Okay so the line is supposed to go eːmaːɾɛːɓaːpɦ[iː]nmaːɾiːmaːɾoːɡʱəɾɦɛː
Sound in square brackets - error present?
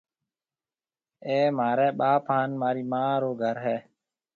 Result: yes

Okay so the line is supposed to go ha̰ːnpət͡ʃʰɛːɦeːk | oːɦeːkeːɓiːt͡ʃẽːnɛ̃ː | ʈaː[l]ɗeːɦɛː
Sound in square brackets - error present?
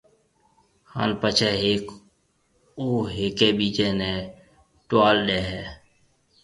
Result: no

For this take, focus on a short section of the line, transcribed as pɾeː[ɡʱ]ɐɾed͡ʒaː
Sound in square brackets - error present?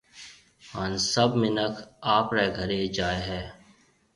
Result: no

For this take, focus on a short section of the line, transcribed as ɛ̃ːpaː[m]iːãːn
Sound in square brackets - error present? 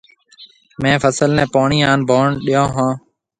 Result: yes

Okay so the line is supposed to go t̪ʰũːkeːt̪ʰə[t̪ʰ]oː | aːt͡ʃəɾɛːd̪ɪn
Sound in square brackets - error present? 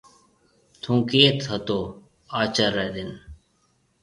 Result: yes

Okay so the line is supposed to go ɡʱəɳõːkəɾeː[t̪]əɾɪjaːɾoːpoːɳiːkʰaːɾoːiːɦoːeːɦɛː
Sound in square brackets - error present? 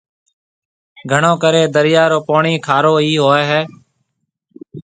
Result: yes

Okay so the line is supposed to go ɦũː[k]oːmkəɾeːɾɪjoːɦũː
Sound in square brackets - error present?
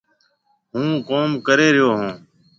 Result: no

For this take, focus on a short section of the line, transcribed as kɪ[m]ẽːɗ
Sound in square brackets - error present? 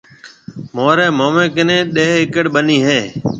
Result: yes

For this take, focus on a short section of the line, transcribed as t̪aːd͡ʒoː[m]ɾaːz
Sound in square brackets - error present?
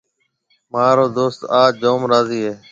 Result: no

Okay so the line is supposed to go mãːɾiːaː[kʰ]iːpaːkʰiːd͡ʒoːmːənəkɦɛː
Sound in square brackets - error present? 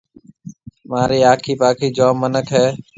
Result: no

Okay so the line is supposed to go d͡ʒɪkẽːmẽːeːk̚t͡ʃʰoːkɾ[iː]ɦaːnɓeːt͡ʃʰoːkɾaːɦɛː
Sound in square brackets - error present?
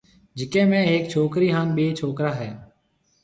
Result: no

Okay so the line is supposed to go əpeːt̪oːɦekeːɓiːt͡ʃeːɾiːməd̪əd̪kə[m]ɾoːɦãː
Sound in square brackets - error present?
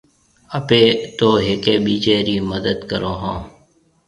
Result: yes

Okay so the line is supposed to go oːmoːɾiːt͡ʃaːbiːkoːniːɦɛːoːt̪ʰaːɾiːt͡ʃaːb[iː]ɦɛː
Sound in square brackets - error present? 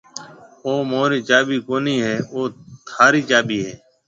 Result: no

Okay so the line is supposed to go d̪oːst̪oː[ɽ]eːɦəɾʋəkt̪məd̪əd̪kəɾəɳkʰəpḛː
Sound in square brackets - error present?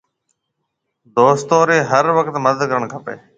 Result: yes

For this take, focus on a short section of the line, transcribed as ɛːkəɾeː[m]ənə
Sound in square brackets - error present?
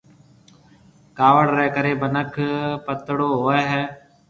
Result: yes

